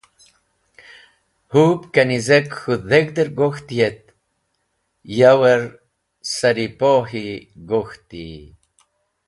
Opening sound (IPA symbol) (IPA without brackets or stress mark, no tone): h